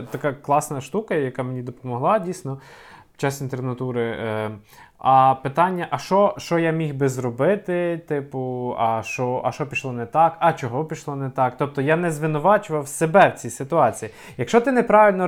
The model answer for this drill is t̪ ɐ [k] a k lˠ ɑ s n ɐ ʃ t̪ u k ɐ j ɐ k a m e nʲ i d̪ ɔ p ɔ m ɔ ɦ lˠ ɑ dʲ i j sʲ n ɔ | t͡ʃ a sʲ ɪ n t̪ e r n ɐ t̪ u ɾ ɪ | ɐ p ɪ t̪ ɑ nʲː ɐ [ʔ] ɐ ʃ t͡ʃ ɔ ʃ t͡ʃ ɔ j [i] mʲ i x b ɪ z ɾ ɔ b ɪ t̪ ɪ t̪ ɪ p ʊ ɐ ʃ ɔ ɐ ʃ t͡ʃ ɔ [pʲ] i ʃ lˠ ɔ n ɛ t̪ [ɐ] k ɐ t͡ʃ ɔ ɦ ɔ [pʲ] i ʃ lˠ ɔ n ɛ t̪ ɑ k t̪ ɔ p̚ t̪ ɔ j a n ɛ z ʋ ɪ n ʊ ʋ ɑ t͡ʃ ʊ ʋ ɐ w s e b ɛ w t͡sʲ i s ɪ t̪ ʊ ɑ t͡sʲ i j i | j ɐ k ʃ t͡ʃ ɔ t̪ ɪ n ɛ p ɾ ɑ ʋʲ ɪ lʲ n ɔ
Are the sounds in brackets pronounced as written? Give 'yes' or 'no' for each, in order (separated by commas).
yes, yes, no, yes, no, yes